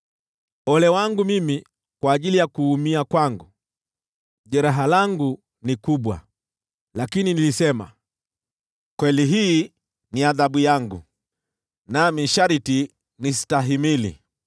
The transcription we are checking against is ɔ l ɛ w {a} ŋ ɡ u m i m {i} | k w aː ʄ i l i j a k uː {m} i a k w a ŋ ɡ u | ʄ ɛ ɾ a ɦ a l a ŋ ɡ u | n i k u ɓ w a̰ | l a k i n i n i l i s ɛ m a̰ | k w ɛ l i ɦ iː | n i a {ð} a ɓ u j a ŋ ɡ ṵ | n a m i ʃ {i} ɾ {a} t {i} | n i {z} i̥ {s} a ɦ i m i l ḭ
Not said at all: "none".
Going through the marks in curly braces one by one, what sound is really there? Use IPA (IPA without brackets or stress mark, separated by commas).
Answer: a, i, m, ð, a, i, i, s, t